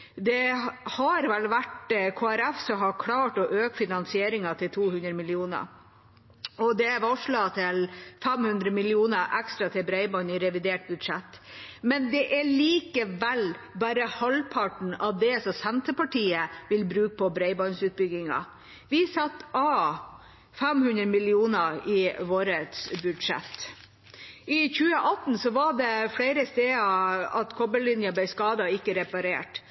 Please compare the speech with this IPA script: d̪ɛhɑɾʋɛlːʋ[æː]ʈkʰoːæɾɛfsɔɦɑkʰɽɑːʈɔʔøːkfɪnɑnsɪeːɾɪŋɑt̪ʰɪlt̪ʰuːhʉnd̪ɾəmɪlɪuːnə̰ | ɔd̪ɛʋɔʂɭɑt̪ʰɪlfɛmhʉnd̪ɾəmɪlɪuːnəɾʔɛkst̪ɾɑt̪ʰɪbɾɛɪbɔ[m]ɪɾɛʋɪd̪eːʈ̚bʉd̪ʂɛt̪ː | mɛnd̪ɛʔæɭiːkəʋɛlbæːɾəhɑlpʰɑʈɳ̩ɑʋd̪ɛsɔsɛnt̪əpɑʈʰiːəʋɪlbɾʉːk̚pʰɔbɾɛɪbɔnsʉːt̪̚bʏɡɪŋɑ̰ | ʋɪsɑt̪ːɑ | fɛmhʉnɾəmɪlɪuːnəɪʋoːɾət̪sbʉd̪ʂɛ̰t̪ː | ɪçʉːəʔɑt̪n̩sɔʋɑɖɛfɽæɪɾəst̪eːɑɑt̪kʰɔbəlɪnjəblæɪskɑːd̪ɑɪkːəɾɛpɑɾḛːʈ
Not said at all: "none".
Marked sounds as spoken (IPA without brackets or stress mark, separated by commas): æ, n